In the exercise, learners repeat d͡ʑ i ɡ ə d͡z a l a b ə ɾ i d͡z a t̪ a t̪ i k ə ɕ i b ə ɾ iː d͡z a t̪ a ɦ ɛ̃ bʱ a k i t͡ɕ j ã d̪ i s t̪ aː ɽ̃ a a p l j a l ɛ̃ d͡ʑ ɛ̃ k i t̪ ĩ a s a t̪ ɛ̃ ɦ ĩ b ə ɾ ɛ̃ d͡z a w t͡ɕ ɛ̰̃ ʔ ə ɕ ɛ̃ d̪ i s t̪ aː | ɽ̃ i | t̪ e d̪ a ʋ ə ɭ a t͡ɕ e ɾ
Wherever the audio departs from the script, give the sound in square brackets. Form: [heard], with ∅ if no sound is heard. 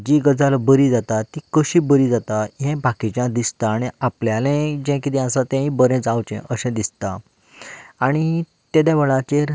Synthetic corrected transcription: d͡ʑ i ɡ ə d͡z a l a b ə ɾ i d͡z a t̪ a t̪ i k ə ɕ i b ə ɾ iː d͡z a t̪ a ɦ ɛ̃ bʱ a k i t͡ɕ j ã d̪ i s t̪ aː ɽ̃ [i] a p l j a l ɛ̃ d͡ʑ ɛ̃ k i t̪ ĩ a s a t̪ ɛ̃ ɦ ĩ b ə ɾ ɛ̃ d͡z a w t͡ɕ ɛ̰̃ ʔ ə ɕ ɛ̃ d̪ i s t̪ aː | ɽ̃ i | t̪ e d̪ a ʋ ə ɭ a t͡ɕ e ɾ